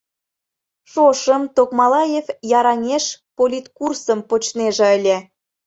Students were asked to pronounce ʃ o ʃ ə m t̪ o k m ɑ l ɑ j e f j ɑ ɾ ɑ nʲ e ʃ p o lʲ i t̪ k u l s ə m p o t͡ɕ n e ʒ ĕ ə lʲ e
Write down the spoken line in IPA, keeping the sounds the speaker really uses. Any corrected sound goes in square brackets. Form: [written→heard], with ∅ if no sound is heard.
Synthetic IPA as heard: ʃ o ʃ ə m t̪ o k m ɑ l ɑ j e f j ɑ ɾ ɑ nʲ e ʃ p o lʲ i t̪ k u [l→r] s ə m p o t͡ɕ n e ʒ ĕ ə lʲ e